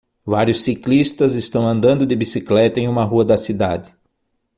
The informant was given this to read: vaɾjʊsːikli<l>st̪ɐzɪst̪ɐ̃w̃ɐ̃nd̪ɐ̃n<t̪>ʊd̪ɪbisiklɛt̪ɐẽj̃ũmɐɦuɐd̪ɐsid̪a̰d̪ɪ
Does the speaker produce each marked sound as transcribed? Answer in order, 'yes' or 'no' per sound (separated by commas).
no, no